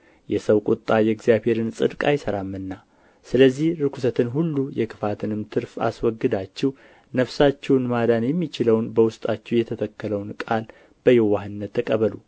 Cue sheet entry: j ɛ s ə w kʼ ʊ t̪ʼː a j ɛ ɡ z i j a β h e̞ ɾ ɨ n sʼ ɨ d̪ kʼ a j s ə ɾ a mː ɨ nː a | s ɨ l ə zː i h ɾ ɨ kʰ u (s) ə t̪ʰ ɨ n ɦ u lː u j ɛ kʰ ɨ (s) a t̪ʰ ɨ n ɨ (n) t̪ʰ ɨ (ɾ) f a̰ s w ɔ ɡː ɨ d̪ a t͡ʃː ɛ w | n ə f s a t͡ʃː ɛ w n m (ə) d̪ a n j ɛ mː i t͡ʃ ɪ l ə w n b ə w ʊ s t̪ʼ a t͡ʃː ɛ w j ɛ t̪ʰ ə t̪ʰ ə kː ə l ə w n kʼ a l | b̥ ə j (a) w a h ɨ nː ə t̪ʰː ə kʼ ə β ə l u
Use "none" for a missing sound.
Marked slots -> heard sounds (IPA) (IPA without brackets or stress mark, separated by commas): s, f, m, ɾ, a, ɛ